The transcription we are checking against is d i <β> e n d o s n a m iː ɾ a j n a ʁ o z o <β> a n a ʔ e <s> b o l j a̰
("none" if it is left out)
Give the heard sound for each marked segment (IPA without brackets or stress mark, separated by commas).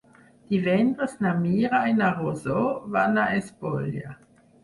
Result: v, v, s